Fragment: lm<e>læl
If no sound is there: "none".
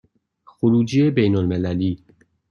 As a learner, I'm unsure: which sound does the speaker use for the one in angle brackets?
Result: e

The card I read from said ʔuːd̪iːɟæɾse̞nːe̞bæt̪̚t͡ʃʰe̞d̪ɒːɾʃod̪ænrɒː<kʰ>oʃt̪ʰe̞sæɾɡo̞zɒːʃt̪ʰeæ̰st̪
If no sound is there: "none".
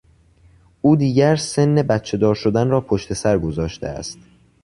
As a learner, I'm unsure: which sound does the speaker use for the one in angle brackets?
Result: pʰ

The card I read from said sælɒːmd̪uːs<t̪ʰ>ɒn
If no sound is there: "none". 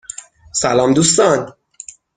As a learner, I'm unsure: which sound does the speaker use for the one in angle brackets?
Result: t̪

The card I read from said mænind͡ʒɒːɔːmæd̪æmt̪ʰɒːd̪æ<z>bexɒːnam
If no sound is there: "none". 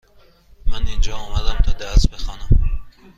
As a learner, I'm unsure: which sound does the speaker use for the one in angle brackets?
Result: s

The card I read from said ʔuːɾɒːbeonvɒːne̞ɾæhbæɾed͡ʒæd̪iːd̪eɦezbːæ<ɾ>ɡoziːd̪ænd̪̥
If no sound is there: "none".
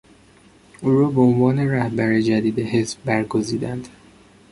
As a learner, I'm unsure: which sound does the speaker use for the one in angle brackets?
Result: ɾ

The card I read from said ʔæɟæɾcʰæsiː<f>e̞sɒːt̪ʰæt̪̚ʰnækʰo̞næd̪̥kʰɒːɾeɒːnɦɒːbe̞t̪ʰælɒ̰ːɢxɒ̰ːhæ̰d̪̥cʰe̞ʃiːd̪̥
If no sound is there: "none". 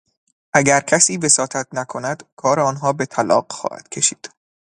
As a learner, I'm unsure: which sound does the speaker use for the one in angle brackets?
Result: v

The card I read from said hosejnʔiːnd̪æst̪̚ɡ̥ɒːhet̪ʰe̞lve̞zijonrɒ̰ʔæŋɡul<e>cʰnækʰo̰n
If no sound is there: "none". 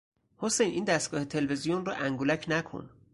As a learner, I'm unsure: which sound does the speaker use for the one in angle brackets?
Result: æ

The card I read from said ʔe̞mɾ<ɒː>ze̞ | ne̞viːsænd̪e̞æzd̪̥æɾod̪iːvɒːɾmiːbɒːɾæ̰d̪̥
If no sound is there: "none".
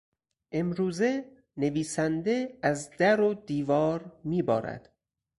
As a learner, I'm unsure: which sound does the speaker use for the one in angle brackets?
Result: uː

